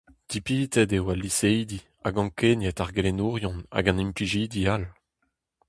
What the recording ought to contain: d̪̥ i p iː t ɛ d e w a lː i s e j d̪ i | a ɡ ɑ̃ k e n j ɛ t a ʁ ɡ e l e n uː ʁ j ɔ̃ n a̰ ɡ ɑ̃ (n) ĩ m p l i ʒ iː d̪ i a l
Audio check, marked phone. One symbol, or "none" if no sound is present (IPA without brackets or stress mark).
n